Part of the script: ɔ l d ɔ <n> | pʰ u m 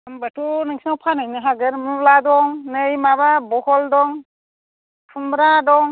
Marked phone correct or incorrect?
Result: incorrect